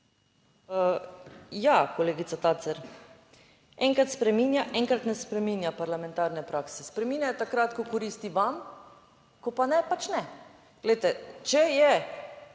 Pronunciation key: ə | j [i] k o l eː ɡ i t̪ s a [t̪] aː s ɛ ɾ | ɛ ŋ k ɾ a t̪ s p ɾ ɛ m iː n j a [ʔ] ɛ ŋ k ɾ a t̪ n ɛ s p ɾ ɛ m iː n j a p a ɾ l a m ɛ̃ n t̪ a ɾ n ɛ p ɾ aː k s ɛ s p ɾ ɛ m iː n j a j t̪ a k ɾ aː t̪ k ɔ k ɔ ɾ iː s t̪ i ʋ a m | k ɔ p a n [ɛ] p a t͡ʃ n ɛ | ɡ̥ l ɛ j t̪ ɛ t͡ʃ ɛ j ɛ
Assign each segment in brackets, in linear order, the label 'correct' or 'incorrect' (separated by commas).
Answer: incorrect, correct, correct, correct